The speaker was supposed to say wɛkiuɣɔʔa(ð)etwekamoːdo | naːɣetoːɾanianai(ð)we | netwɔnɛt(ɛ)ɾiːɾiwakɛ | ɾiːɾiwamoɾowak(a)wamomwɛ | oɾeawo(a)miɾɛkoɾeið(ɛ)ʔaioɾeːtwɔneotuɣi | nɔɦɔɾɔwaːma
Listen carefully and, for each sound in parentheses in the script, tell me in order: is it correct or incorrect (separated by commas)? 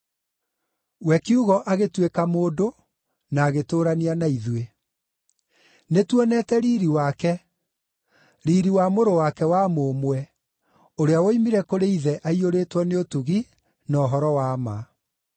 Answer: incorrect, correct, correct, incorrect, incorrect, correct